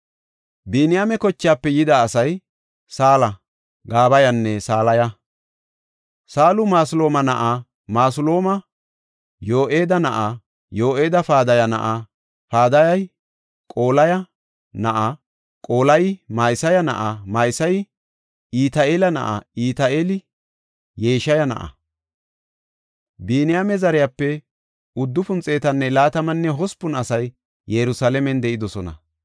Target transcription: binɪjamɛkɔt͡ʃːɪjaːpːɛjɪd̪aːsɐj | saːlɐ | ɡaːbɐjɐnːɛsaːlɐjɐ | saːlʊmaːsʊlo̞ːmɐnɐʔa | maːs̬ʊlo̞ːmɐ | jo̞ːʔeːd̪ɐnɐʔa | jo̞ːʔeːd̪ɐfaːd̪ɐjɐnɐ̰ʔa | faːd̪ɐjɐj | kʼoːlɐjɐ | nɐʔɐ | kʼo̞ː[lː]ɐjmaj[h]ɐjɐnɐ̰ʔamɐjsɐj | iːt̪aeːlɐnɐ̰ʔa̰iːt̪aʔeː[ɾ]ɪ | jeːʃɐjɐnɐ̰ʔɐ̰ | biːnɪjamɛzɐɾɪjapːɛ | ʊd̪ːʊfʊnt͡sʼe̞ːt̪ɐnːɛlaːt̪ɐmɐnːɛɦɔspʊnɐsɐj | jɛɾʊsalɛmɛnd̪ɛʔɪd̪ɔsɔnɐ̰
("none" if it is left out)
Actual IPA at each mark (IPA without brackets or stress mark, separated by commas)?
l, s, l